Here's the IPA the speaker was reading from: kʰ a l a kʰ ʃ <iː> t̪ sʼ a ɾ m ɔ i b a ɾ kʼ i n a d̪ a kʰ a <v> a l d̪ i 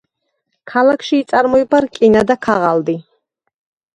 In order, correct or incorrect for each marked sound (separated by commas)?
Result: correct, incorrect